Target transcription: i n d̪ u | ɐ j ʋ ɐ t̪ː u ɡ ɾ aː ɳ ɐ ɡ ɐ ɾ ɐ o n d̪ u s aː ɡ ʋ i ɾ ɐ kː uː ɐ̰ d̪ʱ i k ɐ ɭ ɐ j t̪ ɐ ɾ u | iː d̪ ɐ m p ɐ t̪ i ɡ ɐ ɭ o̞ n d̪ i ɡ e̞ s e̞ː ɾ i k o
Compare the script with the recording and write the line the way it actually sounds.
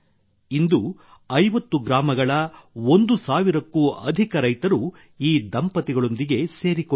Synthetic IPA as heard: i n d̪ u | ɐ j ʋ ɐ t̪ː u ɡ ɾ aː m ɐ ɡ ɐ ɭ ɐ o n d̪ u s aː ʋ i ɾ ɐ kː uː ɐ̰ d̪ʱ i k ɐ ɾ ɐ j t̪ ɐ ɾ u | iː d̪ ɐ m p ɐ t̪ i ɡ ɐ ɭ o̞ n d̪ i ɡ e̞ s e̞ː ɾ i k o